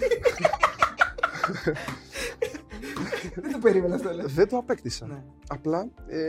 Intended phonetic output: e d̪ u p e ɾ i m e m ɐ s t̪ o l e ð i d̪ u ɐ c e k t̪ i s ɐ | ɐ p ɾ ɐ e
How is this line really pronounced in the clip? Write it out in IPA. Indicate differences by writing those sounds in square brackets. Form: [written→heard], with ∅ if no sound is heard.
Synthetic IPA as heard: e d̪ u p e ɾ i m e [m→n] ɐ s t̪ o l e ð [i→e] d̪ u ɐ [c→p] e k t̪ i s ɐ | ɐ p [ɾ→l] ɐ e